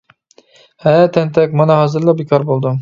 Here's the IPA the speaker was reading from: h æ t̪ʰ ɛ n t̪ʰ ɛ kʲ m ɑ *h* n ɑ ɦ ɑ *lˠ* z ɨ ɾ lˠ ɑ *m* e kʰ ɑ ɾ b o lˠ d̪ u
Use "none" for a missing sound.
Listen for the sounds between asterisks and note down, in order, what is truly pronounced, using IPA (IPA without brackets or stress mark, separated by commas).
none, none, b